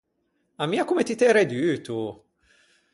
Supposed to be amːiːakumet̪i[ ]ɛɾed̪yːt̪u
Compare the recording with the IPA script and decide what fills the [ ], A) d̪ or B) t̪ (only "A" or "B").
B